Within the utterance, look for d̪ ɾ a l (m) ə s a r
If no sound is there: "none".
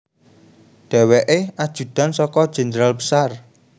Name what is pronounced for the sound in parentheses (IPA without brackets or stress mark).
b